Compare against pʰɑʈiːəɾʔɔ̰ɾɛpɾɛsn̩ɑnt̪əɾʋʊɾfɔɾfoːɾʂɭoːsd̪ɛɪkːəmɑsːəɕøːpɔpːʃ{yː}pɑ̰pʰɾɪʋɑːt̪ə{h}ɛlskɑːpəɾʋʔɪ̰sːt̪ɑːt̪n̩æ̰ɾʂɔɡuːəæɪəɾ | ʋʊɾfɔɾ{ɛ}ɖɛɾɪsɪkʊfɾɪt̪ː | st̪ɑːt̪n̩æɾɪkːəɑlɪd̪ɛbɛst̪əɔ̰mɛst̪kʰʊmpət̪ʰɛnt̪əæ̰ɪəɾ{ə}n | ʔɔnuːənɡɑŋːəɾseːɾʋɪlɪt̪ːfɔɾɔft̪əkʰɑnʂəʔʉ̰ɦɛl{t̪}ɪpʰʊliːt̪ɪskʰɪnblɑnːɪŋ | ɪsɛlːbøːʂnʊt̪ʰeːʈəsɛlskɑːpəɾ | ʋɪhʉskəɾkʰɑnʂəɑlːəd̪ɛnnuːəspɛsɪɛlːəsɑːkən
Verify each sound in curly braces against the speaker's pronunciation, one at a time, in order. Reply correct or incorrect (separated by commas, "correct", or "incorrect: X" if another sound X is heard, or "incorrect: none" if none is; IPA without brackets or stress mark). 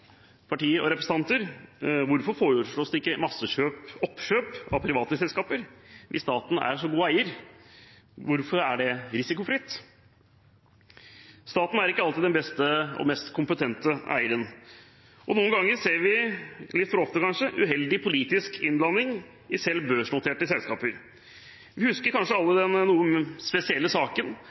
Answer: incorrect: øː, incorrect: s, incorrect: æ, correct, incorrect: d̪